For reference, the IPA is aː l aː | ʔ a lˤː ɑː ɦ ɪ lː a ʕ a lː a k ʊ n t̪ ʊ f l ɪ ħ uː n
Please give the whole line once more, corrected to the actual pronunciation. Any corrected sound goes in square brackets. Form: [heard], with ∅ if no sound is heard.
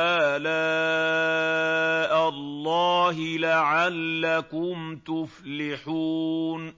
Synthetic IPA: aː l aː | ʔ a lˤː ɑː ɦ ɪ [l] a ʕ a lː a k ʊ [m] t̪ ʊ f l ɪ ħ uː n